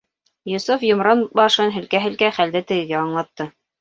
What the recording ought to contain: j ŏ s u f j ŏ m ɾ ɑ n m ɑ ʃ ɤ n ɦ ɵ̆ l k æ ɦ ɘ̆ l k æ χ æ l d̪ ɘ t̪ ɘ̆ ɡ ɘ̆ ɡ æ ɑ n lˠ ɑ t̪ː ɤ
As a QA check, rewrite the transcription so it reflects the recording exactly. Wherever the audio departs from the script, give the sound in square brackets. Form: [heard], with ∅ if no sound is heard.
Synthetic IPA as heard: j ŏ s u f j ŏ m ɾ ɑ n [b] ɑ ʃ ɤ n ɦ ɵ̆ l k æ ɦ ɘ̆ l k æ χ æ l d̪ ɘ t̪ ɘ̆ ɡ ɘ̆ ɡ æ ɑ [ɴ] lˠ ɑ t̪ː ɤ

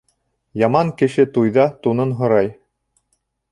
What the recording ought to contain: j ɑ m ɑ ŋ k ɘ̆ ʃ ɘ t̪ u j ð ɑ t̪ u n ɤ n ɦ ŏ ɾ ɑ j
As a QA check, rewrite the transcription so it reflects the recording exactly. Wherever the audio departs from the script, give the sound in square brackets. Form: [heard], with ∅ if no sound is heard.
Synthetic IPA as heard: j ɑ m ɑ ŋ k ɘ̆ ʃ ɘ t̪ u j ð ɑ t̪ u n ɤ n ɦ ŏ ɾ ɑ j

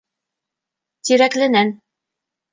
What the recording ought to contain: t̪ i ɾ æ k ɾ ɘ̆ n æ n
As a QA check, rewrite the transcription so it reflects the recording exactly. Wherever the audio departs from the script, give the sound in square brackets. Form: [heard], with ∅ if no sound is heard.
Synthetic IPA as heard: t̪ i ɾ æ k [l] ɘ̆ n æ n

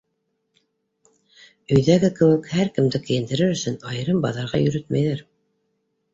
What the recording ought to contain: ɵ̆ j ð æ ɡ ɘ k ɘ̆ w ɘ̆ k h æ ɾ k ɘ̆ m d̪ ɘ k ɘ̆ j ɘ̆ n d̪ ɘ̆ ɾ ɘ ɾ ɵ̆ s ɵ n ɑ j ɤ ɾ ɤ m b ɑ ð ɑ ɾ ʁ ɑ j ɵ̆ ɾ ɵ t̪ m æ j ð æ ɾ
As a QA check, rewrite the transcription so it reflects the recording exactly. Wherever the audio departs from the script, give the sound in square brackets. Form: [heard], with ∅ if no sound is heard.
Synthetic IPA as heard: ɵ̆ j ð æ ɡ ɘ k ɘ̆ w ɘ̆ k h æ ɾ k ɘ̆ m d̪ ɘ k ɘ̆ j ɘ̆ n d̪ ɘ̆ ɾ ɘ ɾ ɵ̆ s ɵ n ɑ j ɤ ɾ ɤ m b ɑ ð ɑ ɾ ʁ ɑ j ɵ̆ ɾ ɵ t̪ m æ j ð æ ɾ

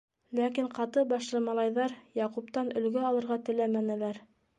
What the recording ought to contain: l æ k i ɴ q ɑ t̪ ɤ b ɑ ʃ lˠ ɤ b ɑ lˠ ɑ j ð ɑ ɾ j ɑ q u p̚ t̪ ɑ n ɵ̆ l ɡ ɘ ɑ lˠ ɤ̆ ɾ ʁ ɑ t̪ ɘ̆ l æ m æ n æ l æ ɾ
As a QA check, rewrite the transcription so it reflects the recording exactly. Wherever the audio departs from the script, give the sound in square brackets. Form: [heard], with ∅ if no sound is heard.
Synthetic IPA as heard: l æ k i ɴ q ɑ t̪ ɤ b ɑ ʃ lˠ ɤ [m] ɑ lˠ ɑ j ð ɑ ɾ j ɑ q u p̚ t̪ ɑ n ɵ̆ l ɡ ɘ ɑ lˠ ɤ̆ ɾ ʁ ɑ t̪ ɘ̆ l æ m æ n æ l æ ɾ

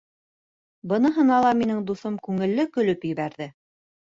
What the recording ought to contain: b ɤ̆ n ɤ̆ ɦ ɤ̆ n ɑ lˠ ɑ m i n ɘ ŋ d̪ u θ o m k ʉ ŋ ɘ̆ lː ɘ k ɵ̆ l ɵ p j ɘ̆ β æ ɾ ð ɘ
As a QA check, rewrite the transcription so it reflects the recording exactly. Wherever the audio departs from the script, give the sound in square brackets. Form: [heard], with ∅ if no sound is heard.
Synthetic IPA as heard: b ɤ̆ n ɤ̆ ɦ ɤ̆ n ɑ lˠ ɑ m i n ɘ ŋ d̪ u θ o m k ʉ ŋ ɘ̆ lː ɘ k ɵ̆ l ɵ p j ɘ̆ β æ ɾ ð ɘ

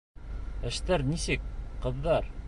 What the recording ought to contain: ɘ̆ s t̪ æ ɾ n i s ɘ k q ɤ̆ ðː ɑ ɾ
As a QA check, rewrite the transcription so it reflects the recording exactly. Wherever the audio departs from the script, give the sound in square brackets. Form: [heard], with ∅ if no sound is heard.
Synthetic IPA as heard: ɘ̆ [ʃ] t̪ æ ɾ n i s ɘ k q ɤ̆ ðː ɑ ɾ

